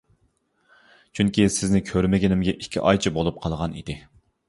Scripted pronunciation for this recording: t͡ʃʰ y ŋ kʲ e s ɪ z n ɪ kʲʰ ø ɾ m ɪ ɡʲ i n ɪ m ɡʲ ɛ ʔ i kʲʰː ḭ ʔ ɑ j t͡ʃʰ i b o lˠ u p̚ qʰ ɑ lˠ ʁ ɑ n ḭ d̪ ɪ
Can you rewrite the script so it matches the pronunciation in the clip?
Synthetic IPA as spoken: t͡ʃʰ y ŋ kʲ i s ɪ z n ɪ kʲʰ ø ɾ m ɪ ɡʲ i n ɪ m ɡʲ ɛ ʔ i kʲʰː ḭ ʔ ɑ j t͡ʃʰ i b o lˠ u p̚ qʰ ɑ lˠ ʁ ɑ n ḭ d̪ ɪ